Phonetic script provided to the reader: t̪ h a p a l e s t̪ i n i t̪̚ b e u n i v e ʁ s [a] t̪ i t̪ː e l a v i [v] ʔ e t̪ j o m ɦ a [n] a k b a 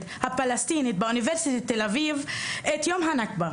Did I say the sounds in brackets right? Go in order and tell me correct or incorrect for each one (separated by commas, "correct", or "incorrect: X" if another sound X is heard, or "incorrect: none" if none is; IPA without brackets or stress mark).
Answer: incorrect: i, correct, correct